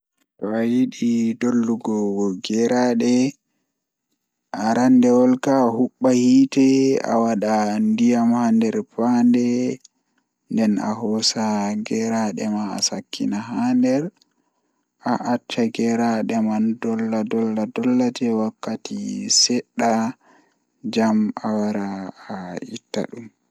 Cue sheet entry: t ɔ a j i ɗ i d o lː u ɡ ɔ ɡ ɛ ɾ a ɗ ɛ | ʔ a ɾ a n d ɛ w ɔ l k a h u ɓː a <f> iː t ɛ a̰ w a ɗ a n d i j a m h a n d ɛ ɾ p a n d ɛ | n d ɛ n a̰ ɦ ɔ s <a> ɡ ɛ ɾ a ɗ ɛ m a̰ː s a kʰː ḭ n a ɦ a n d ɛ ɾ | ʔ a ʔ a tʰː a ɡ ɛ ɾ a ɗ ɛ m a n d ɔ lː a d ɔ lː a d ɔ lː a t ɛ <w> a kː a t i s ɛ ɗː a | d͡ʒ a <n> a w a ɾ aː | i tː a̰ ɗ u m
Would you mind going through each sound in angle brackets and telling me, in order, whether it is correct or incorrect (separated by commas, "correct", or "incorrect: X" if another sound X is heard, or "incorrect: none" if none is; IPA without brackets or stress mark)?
incorrect: h, correct, correct, incorrect: m